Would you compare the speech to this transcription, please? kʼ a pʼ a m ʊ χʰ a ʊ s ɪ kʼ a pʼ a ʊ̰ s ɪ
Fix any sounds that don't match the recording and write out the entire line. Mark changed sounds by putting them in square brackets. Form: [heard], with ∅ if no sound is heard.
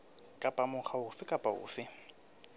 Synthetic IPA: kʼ a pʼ a m ʊ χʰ a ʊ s ɪ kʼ a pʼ a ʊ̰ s ɪ